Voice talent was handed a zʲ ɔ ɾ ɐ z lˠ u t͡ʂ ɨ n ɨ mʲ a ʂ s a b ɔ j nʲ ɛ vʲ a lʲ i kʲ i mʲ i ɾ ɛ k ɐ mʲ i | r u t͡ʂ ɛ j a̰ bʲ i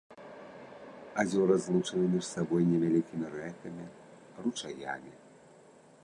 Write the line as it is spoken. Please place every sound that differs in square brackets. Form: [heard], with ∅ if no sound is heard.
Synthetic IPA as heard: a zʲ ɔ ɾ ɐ z lˠ u t͡ʂ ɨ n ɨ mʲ [i] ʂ s a b ɔ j nʲ ɛ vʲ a lʲ i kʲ i mʲ i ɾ ɛ k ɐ mʲ i | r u t͡ʂ [a] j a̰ [mʲ] i